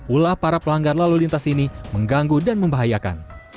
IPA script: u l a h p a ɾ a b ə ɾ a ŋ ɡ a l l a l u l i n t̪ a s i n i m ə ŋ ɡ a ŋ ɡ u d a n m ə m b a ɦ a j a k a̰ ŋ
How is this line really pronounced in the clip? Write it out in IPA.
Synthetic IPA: u l a h p a ɾ a p ə l a ŋ ɡ a r l a l u l i n t̪ a s i n i m ə ŋ ɡ a ŋ ɡ u d a n m ə m b a ɦ a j a k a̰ n